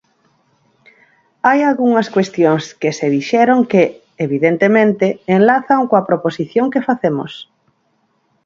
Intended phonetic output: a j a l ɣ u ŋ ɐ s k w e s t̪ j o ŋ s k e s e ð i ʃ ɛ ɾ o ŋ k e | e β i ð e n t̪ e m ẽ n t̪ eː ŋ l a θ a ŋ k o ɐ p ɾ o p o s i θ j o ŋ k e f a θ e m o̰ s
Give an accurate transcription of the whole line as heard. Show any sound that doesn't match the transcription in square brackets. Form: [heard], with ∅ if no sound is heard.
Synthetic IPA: a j a l ɣ u ŋ ɐ s k w e s t̪ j o ŋ s k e s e ð i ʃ ɛ ɾ o ŋ k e | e β i ð e n t̪ e m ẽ n t̪ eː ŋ l a θ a ŋ k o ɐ p ɾ o p o s i θ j o ŋ k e f a θ e m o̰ s